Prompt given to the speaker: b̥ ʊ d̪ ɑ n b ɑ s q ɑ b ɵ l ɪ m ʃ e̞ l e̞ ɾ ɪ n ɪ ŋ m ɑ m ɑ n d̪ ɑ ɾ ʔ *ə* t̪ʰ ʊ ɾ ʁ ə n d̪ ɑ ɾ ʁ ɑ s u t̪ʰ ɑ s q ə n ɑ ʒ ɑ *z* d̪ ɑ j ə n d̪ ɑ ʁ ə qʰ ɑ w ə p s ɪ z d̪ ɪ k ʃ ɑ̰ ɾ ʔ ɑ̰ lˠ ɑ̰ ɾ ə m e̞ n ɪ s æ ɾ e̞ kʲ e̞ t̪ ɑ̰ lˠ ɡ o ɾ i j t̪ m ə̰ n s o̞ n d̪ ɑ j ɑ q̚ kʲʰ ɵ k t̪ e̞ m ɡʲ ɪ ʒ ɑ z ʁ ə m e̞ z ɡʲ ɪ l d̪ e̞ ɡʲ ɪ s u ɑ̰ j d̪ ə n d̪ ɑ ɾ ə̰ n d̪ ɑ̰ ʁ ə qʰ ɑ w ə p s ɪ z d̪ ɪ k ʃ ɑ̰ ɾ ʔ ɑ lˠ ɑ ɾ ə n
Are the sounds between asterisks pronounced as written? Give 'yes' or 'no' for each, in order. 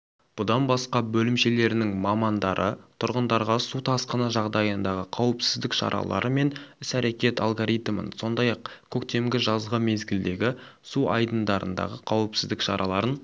yes, no

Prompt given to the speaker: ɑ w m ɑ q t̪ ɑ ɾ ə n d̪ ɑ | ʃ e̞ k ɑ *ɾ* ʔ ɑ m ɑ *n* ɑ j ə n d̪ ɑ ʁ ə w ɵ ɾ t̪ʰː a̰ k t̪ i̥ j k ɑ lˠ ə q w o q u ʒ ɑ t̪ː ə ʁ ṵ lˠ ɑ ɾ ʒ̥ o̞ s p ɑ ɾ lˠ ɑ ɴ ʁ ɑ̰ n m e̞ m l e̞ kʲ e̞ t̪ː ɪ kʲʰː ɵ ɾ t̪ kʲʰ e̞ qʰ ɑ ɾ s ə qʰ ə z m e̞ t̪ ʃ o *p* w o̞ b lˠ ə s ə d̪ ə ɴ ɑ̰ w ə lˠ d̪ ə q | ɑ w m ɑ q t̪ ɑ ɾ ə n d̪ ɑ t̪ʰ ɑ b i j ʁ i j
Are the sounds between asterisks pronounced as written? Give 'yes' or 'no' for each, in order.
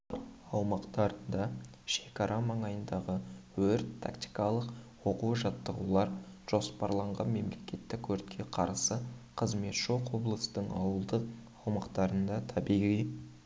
yes, no, no

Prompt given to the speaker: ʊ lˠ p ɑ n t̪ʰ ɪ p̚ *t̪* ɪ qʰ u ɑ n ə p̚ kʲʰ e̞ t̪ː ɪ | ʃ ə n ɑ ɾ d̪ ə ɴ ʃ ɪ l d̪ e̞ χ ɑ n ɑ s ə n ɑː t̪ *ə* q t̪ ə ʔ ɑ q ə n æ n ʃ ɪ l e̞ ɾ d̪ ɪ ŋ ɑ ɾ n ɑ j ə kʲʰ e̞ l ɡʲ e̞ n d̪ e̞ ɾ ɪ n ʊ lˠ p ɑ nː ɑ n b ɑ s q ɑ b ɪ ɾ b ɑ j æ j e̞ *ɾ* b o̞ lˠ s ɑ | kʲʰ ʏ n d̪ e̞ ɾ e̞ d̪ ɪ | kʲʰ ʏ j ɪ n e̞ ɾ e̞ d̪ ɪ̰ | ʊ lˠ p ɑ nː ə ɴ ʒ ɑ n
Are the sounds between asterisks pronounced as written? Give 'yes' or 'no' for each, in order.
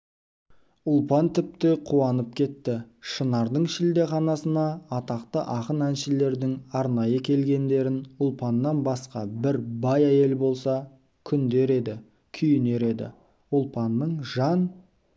yes, no, no

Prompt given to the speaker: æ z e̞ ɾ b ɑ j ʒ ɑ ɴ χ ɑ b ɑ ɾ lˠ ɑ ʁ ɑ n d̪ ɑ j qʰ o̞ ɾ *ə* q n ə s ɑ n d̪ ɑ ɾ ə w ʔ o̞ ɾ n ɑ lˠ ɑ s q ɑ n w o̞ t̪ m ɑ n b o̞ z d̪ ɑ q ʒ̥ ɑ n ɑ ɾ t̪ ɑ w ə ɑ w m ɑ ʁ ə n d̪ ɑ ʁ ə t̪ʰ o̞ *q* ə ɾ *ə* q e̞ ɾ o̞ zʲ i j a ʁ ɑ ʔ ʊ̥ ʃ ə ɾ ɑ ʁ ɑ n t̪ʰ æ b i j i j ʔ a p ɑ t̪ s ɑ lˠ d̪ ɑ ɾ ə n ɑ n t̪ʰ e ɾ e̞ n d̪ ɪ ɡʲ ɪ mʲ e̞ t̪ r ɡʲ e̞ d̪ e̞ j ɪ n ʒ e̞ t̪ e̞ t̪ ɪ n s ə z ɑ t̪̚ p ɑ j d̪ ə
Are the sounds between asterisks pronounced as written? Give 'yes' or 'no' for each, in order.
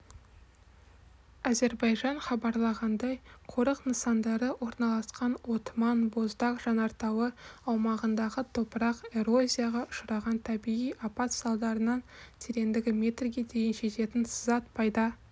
yes, no, no

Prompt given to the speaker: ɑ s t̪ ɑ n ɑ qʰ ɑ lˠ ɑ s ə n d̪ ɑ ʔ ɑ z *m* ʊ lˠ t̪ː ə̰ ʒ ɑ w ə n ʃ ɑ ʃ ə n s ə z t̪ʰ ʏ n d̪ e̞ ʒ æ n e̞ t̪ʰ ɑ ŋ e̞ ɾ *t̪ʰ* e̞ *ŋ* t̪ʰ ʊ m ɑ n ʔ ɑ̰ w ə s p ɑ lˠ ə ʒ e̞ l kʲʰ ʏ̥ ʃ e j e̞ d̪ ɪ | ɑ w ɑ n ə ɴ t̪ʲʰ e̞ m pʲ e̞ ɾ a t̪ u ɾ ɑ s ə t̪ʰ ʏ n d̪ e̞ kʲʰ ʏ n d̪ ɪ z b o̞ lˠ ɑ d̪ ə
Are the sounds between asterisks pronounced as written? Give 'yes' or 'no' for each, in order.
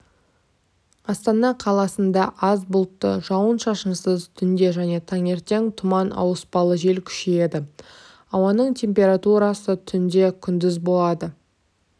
no, no, yes

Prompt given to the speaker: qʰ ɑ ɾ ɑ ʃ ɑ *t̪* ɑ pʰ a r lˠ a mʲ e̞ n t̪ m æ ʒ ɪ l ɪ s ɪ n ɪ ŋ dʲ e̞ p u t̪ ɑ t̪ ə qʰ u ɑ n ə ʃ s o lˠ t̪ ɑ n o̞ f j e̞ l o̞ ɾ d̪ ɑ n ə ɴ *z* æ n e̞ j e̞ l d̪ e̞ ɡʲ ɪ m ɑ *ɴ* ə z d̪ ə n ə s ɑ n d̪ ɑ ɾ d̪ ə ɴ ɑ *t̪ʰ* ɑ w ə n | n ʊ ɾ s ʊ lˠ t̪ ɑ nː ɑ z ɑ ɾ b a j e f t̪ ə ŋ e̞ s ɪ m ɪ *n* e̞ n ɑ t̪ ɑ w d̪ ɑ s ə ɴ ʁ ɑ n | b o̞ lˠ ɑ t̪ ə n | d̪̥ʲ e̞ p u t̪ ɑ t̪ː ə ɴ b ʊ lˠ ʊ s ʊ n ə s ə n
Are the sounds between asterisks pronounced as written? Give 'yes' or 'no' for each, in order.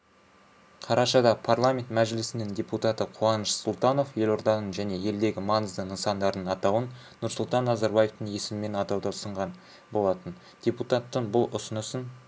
no, no, no, no, no

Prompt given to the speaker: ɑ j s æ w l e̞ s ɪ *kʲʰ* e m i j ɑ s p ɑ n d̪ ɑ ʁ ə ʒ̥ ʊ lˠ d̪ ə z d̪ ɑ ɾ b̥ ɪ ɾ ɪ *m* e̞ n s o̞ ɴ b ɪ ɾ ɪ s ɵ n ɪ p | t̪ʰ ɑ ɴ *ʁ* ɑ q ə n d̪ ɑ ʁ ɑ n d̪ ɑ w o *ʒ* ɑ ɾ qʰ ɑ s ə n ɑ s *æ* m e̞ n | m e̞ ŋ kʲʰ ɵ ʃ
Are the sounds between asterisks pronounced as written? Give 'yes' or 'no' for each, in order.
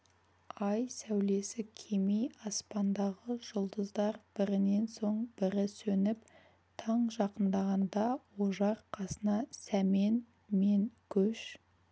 yes, no, no, yes, yes

